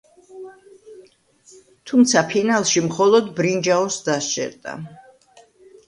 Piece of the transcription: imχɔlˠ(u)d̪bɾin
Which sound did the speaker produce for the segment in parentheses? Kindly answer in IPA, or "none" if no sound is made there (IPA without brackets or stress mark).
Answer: ɔ